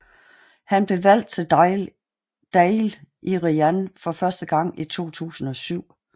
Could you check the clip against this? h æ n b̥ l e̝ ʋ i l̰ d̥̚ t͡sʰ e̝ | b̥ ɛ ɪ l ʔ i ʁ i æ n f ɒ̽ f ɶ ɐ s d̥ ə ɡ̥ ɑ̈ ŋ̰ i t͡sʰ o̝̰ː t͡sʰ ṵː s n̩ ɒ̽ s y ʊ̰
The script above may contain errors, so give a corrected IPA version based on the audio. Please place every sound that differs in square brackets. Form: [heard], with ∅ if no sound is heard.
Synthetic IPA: h æ n b̥ l e̝ ʋ [æ] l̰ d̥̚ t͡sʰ e̝ | [d̥] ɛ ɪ l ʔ i ʁ i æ n f ɒ̽ f ɶ ɐ s d̥ ə ɡ̥ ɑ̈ ŋ̰ i t͡sʰ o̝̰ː t͡sʰ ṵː s n̩ ɒ̽ s y ʊ̰